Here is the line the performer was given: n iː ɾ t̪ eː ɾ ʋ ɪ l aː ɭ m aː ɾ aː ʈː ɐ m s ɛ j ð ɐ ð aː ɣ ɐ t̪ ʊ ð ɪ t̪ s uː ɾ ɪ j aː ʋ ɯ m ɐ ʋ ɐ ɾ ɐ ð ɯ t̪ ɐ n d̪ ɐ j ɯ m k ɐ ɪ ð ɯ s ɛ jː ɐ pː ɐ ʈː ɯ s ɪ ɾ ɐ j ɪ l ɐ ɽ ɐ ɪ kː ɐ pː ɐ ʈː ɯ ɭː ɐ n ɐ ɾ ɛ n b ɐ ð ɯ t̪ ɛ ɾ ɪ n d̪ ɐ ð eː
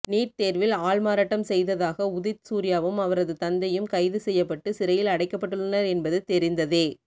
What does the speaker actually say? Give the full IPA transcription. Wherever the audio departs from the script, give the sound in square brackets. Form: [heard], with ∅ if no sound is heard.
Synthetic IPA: n iː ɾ t̪ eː ɾ ʋ ɪ l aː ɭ m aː ɾ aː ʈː ɐ m s ɛ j ð ɐ ð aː ɣ ɐ [∅] ʊ ð ɪ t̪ s uː ɾ ɪ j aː ʋ ɯ m ɐ ʋ ɐ ɾ ɐ ð ɯ t̪ ɐ n d̪ ɐ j ɯ m k ɐ ɪ ð ɯ s ɛ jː ɐ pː ɐ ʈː ɯ s ɪ ɾ ɐ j ɪ l ɐ ɽ ɐ ɪ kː ɐ pː ɐ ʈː ɯ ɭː ɐ n ɐ ɾ ɛ n b ɐ ð ɯ t̪ ɛ ɾ ɪ n d̪ ɐ ð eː